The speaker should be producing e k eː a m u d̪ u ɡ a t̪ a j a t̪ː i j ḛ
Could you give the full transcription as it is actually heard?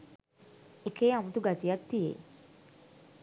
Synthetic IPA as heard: e k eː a m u t̪ u ɡ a t̪ i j a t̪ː i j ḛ